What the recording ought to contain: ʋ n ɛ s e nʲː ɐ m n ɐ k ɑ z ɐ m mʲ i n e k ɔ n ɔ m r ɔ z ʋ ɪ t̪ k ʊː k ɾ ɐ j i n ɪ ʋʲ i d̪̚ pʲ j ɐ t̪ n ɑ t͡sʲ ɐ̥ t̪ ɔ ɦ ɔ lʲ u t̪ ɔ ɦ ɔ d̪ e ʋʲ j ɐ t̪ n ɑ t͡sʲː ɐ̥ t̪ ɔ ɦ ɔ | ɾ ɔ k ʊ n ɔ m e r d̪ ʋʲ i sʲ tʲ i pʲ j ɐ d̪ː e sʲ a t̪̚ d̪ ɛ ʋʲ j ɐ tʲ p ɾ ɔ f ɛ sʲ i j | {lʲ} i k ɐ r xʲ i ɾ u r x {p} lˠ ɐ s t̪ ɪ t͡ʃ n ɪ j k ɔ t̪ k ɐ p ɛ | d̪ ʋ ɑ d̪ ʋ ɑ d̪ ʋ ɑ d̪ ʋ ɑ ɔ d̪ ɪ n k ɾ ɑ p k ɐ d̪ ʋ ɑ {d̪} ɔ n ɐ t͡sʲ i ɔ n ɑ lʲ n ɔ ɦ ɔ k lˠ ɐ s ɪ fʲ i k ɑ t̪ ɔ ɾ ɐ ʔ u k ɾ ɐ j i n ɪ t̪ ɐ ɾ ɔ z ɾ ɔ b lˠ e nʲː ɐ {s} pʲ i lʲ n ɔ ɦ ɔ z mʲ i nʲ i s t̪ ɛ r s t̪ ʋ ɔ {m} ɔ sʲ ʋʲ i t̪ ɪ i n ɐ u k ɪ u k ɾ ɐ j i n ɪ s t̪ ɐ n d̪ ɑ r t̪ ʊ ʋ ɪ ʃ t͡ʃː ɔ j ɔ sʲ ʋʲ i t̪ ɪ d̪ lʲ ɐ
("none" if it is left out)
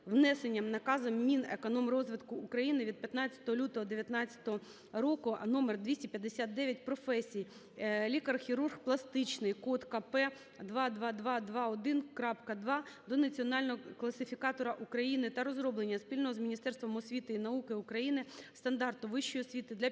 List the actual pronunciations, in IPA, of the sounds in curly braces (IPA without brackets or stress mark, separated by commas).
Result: lʲ, p, d̪, s, m